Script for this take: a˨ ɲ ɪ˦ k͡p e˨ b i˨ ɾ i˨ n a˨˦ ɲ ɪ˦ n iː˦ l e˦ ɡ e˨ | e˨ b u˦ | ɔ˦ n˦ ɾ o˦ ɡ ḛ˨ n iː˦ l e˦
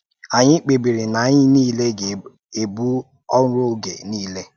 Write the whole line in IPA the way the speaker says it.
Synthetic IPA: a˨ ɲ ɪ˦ k͡p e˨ b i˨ ɾ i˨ n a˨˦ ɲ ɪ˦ n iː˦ l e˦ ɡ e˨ | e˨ b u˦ | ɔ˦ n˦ ɾ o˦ ɡ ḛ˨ n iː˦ l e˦